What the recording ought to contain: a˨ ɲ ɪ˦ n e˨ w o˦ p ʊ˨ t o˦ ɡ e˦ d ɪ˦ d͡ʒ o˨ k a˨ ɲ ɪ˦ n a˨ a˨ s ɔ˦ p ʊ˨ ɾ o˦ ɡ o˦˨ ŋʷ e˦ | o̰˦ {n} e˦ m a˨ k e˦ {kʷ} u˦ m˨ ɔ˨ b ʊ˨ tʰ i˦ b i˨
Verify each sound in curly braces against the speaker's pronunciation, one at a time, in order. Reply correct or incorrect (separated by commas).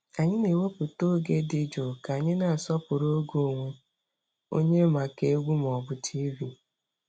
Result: incorrect, incorrect